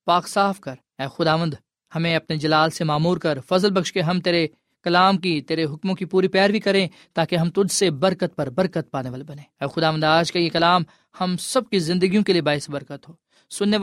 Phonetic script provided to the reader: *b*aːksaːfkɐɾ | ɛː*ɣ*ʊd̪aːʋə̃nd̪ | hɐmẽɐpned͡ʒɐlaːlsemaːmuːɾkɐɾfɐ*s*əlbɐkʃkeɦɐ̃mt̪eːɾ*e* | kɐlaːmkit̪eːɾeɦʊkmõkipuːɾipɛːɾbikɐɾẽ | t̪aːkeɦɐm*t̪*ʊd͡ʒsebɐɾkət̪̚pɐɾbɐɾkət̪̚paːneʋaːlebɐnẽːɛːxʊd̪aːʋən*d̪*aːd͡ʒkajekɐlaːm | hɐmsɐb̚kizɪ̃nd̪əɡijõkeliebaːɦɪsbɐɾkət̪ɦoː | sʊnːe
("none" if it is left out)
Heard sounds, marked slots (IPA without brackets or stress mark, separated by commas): p, x, z, e, t̪, d̪